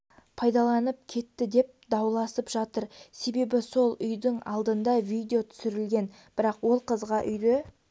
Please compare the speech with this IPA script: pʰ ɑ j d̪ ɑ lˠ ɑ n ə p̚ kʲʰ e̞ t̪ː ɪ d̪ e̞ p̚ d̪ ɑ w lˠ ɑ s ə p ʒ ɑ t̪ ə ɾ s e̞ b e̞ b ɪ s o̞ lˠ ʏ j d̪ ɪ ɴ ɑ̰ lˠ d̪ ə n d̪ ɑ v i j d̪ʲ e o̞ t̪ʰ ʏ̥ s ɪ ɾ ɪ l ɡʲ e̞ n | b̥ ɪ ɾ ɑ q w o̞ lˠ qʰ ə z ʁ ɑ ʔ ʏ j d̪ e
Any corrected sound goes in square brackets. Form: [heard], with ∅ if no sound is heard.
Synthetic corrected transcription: pʰ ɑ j d̪ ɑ lˠ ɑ n ə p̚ kʲʰ e̞ t̪ː ɪ d̪ e̞ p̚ d̪ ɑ w lˠ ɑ s ə p ʒ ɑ t̪ ə ɾ s e̞ b e̞ b ɪ s o̞ lˠ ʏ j d̪ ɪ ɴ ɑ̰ lˠ d̪ ə n d̪ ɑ v i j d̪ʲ e o̞ t̪ʰ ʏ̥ s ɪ ɾ ɪ l ɡʲ e̞ n | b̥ ɪ ɾ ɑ q w o̞ lˠ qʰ ə z ʁ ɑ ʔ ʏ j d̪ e